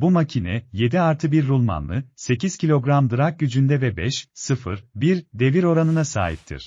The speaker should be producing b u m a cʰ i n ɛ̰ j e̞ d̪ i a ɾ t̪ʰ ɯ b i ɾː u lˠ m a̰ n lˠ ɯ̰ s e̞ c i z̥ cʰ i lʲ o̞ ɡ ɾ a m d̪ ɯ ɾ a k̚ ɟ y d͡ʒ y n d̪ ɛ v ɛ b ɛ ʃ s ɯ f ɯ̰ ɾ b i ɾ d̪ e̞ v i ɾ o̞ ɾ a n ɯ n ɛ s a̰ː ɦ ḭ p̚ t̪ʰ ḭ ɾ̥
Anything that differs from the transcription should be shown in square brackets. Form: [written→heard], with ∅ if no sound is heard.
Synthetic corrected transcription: b u m a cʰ i n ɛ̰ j e̞ d̪ i a ɾ t̪ʰ ɯ b i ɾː u lˠ m a̰ n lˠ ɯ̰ s e̞ c i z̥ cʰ i lʲ o̞ ɡ ɾ a m d̪ ɯ ɾ a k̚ ɟ y d͡ʒ y n d̪ ɛ v ɛ b ɛ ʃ s ɯ f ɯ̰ ɾ b i ɾ d̪ e̞ v i ɾ o̞ ɾ a n ɯ n [ɛ→a] s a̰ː ɦ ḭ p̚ t̪ʰ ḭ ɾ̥